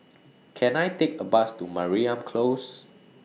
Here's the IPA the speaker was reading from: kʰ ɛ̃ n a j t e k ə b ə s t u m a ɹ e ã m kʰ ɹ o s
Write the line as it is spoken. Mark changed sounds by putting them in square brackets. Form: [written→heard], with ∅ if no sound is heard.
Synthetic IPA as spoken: kʰ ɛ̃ n a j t e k ə b [ə→a] s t u m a ɹ [e→i] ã m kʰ [ɹ→l] o s

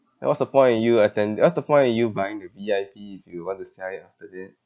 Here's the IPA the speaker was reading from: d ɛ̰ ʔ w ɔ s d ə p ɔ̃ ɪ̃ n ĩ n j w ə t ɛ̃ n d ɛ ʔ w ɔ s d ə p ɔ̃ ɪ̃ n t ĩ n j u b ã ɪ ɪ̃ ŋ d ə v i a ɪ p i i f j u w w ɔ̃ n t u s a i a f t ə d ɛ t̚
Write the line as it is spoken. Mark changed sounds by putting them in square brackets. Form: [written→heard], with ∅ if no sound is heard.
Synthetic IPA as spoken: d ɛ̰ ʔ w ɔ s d ə p ɔ̃ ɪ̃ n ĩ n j [w→u] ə t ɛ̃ n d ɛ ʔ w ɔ s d ə p ɔ̃ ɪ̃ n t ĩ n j u b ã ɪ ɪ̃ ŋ d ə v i a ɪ p i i f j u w w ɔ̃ n t u s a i a f t ə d ɛ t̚

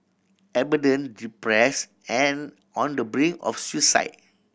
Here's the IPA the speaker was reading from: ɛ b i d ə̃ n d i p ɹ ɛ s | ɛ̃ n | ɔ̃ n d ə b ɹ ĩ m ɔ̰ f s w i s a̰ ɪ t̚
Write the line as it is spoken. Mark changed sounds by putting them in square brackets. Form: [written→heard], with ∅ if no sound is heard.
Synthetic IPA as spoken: ɛ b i d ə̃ n d i p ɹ ɛ s | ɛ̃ n | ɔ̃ n d ə b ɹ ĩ [m→ŋ] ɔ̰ f s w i s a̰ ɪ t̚

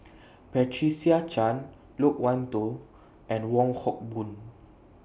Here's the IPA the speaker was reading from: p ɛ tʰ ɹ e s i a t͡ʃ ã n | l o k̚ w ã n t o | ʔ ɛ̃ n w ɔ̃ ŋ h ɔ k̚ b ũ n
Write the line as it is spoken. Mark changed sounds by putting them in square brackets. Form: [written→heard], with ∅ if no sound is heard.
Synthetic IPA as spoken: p ɛ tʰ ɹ [e→i] s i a t͡ʃ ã n | l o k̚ w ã n t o | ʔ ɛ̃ n w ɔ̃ ŋ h ɔ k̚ b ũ n

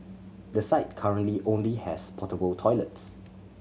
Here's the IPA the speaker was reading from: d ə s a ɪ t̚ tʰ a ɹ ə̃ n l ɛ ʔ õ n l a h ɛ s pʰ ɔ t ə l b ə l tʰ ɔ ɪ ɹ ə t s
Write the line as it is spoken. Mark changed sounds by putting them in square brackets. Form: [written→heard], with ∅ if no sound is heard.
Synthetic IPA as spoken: d ə s a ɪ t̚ [tʰ→kʰ] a ɹ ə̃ n l [ɛ→i] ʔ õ n l [a→i] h ɛ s pʰ ɔ t ə [l→∅] b ə l tʰ ɔ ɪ [ɹ→l] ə t s

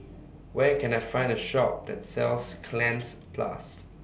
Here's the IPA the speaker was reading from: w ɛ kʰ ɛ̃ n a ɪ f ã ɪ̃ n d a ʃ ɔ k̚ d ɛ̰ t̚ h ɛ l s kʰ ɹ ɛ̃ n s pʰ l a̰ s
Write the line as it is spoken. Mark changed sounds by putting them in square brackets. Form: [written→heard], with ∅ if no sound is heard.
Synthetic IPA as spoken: w ɛ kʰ ɛ̃ n a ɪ f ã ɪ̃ n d [a→ə] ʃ ɔ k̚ d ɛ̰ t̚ [h→s] ɛ l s kʰ [ɹ→l] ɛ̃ n s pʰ l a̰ s

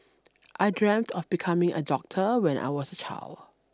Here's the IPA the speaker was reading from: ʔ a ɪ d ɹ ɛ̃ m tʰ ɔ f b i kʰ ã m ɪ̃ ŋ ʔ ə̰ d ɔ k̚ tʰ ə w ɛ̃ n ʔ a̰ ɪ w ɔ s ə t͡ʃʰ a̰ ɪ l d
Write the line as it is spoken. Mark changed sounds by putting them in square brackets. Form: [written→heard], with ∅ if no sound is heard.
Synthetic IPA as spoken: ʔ a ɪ d ɹ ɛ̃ m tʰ ɔ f b i kʰ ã m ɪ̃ ŋ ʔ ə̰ d ɔ k̚ tʰ ə w ɛ̃ n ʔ a̰ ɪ w ɔ s ə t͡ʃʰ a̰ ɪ l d

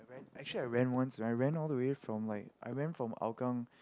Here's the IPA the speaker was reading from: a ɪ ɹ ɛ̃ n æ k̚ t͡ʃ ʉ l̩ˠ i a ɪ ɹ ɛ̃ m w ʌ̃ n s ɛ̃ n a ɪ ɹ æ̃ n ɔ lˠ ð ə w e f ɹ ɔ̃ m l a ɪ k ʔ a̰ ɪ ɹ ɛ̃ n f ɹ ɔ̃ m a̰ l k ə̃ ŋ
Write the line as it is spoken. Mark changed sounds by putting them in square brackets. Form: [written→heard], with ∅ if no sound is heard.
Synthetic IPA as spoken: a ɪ ɹ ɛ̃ n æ k̚ t͡ʃ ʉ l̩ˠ i a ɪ ɹ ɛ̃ [m→n] w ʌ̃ n s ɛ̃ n a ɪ ɹ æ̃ n ɔ lˠ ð ə w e f ɹ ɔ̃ m l a ɪ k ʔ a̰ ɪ ɹ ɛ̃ n f ɹ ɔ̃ m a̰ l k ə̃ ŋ

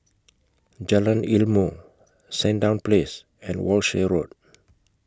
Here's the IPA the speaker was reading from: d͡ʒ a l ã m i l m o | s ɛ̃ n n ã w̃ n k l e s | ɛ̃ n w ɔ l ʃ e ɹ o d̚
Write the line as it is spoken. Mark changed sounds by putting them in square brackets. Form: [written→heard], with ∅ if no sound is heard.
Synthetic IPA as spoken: d͡ʒ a l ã [m→n] i l m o | s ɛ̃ n [n→d] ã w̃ n [k→p] l e s | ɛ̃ n w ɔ l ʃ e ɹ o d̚

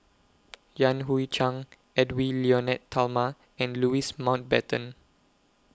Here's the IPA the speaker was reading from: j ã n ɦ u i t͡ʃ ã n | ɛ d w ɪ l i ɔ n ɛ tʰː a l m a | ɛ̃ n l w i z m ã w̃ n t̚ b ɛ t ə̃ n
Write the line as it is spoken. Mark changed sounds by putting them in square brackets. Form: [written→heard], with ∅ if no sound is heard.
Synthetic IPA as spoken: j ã n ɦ u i t͡ʃ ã [n→ŋ] | ɛ d w [ɪ→i] l i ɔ n ɛ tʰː a l m a | ɛ̃ n l [w→u] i [z→s] m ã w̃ n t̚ b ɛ t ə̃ n

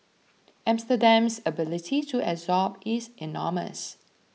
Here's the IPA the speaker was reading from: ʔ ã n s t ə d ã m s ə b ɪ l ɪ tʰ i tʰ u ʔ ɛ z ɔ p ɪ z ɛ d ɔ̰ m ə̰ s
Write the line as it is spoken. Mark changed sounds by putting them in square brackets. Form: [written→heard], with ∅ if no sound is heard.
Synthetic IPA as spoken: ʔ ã [n→m] s t ə d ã m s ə b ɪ l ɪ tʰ i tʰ u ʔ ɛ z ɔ p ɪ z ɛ [d→n] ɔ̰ m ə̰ s

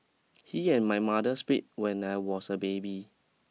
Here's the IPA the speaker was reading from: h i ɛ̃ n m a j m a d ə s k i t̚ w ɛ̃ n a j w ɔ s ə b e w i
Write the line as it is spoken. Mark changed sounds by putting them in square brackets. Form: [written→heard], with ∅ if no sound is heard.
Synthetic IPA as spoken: h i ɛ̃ n m a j m a d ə s [k→p] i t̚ w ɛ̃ n a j w ɔ s ə b e [w→b] i

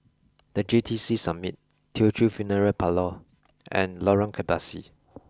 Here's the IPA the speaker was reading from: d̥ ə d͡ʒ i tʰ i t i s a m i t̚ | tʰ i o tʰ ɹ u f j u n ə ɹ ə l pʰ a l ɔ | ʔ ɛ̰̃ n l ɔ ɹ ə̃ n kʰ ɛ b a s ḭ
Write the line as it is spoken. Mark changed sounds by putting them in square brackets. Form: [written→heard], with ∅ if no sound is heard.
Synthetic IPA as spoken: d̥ ə d͡ʒ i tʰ i [t→s] i s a m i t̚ | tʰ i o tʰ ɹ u f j u n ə ɹ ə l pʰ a l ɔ | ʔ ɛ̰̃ n l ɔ ɹ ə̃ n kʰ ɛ b a s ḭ

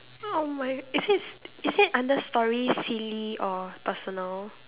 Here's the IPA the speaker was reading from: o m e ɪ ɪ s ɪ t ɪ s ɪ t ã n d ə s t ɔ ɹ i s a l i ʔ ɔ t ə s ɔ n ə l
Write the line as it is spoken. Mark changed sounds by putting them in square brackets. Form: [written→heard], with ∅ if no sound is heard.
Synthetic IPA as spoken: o m [e→a] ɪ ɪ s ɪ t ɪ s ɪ t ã n d ə s t ɔ ɹ i s [a→i] l i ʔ ɔ [t→p] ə s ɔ n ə l

